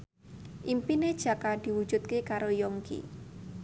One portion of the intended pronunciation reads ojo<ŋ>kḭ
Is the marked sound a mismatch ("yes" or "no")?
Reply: no